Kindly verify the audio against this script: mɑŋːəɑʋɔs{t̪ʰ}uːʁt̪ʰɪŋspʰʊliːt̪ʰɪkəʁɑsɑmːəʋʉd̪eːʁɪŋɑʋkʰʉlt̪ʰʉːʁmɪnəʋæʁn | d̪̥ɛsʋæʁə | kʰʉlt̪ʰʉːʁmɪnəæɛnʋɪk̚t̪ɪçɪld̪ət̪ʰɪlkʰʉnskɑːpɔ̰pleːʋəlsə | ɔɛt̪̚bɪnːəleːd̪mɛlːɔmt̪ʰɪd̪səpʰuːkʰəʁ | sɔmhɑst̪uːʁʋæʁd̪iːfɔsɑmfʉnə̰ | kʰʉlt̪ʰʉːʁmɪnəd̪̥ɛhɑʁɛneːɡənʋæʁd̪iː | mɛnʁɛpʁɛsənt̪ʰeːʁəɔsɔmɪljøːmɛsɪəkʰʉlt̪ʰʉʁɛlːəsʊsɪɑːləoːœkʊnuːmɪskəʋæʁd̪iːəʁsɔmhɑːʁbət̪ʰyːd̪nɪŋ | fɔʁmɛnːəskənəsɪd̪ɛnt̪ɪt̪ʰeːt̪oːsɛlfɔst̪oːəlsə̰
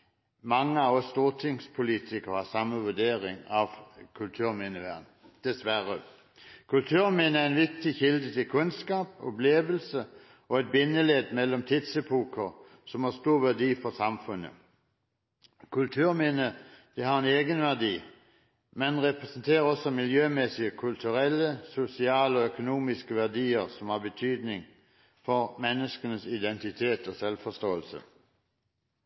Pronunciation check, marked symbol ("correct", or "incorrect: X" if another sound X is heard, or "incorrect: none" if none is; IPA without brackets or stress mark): incorrect: t̪